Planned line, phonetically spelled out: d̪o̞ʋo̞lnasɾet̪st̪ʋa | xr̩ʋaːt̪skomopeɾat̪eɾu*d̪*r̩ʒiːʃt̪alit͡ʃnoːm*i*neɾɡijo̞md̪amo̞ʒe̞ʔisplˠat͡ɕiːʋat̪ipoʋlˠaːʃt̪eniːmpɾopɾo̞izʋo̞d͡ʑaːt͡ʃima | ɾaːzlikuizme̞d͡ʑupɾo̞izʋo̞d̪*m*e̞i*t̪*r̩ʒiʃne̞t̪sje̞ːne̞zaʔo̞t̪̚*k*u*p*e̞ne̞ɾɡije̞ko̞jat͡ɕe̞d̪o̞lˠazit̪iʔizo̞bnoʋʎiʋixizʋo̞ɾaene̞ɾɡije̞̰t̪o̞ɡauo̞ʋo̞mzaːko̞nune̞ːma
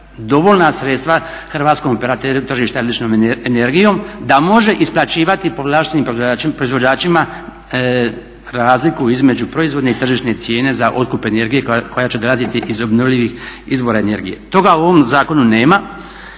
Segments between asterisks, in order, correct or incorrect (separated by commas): incorrect, incorrect, incorrect, correct, correct, correct